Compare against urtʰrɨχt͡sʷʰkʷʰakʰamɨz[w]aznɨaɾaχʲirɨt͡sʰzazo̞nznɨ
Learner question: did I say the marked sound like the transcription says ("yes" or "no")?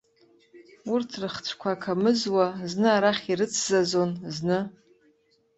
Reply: yes